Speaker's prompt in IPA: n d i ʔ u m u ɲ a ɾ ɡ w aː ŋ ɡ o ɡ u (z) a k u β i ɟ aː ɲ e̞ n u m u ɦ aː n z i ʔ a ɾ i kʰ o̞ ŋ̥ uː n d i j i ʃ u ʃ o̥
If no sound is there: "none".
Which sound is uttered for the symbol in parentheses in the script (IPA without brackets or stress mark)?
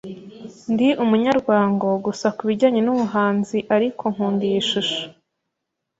s